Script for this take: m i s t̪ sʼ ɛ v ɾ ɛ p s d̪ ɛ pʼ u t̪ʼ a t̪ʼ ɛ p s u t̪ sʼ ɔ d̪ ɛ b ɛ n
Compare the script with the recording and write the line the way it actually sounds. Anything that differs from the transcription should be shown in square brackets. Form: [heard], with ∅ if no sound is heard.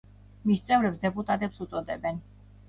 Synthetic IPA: m i s t̪ sʼ ɛ v ɾ ɛ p s d̪ ɛ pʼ u t̪ʼ a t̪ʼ ɛ p s u t̪ sʼ ɔ d̪ ɛ b ɛ n